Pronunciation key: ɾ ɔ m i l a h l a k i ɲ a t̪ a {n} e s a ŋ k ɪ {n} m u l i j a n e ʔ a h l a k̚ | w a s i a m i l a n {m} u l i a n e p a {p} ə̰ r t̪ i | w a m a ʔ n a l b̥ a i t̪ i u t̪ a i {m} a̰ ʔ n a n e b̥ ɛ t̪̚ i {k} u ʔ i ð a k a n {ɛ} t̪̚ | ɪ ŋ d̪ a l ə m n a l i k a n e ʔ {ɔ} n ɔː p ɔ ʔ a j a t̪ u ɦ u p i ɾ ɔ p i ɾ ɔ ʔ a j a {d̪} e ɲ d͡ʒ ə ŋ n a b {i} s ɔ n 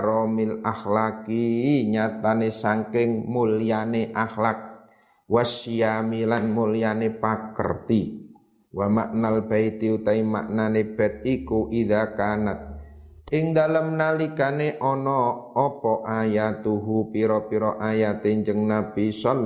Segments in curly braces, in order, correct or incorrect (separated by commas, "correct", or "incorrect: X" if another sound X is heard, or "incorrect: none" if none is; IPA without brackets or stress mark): correct, incorrect: ŋ, correct, incorrect: k, correct, correct, incorrect: a, correct, incorrect: t̪, correct